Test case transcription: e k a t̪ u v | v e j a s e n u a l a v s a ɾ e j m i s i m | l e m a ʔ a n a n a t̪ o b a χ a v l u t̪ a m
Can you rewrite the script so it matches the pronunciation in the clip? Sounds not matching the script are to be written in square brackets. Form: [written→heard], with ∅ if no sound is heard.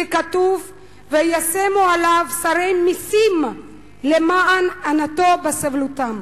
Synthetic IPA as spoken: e k a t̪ u v | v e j a s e [n→m] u a l a v s a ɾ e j m i s i m | l e m a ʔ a n a n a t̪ o b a [χ→s] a v l u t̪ a m